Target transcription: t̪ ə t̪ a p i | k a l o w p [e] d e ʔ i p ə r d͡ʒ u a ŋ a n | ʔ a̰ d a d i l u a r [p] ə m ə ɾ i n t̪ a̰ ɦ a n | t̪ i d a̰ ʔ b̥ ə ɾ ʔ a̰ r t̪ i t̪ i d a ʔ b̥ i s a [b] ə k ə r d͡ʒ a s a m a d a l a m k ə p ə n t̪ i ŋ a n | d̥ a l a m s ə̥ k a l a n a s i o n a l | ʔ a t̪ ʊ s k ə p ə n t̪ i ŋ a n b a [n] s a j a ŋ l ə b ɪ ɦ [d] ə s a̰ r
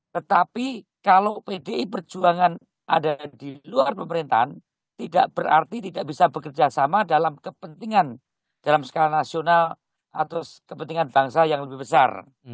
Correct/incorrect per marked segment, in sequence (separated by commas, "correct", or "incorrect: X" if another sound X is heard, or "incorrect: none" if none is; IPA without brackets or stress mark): correct, correct, correct, incorrect: ŋ, incorrect: b